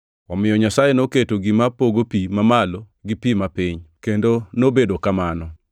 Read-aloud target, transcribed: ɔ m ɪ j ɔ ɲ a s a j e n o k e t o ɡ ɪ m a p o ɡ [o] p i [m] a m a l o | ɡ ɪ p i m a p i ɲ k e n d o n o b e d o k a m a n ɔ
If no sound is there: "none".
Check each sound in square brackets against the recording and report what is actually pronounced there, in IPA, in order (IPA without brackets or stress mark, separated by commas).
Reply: o, m